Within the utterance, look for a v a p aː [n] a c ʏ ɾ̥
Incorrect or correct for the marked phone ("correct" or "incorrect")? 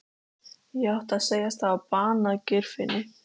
correct